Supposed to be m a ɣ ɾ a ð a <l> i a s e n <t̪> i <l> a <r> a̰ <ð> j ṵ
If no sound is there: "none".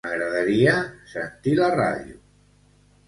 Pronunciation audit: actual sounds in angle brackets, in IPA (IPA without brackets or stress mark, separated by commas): ɾ, t̪, l, r, ð